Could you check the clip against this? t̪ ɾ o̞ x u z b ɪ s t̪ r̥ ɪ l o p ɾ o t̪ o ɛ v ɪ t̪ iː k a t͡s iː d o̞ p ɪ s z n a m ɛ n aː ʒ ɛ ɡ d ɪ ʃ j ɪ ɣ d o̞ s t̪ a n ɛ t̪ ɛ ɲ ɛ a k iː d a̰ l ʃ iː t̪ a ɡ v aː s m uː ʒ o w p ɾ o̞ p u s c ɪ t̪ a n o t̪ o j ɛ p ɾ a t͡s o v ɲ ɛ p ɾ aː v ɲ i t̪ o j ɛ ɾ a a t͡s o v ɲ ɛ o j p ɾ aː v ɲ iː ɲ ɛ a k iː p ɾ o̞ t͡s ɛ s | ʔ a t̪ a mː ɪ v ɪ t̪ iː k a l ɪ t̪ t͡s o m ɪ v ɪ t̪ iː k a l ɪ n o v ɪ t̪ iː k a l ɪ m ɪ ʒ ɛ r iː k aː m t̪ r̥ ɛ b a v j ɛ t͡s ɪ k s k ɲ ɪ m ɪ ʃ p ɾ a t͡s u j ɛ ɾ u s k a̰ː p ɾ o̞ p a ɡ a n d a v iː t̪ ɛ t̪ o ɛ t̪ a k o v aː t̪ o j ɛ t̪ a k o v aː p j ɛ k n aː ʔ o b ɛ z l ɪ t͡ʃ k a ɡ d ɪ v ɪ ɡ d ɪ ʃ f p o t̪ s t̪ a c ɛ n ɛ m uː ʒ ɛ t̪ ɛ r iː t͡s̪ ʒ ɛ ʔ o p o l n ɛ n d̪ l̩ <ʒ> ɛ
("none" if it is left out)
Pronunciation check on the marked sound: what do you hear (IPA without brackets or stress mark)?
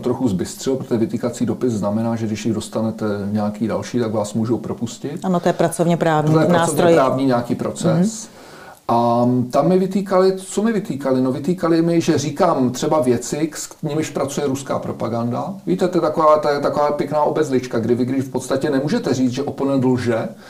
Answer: ʒ